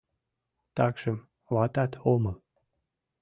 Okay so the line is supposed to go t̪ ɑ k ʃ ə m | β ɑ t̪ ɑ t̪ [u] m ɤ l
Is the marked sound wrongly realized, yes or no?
yes